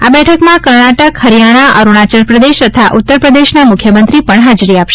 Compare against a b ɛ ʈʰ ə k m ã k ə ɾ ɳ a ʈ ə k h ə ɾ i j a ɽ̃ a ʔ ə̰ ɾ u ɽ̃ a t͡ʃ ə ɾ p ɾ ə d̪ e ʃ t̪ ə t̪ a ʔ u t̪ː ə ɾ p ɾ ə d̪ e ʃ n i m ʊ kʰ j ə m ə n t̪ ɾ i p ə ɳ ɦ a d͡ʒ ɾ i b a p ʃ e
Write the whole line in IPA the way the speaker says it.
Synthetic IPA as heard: a b ɛ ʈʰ ə k m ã k ə ɾ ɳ a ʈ ə k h ə ɾ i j a ɽ̃ a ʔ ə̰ ɾ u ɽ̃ a t͡ʃ ə ɾ p ɾ ə d̪ e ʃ t̪ ə t̪ʰ a ʔ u t̪ː ə ɾ p ɾ ə d̪ e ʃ n a m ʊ kʰ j ə m ə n t̪ ɾ i p ə ɳ ɦ a d͡ʒ ɾ i a p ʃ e